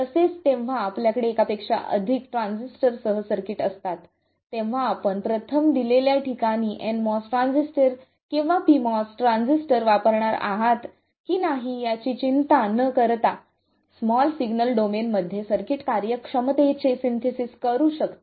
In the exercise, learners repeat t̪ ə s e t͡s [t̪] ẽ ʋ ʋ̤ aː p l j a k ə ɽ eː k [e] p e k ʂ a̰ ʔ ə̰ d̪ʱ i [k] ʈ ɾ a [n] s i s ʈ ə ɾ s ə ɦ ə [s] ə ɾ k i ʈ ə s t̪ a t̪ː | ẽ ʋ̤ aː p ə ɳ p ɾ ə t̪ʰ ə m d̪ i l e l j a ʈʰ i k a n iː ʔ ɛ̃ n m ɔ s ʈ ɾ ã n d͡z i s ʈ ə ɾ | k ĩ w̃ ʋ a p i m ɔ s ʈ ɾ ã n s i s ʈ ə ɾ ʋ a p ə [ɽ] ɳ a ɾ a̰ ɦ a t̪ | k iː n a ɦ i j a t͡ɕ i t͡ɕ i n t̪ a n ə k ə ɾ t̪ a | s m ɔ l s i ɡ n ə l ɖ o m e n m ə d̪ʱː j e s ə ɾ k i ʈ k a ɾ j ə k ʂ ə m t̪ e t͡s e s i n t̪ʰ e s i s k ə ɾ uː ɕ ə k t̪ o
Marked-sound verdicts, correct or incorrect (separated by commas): correct, incorrect, correct, correct, correct, incorrect